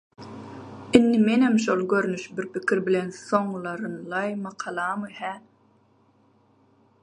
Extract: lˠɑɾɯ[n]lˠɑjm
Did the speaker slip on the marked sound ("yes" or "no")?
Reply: no